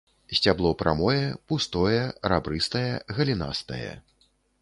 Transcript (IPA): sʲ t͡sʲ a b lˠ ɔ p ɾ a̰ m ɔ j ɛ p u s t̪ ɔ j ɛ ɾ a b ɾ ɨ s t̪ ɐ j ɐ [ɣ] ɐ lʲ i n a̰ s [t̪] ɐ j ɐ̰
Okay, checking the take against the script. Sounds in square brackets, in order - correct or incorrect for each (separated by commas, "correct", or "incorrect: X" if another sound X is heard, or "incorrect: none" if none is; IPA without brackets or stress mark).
correct, correct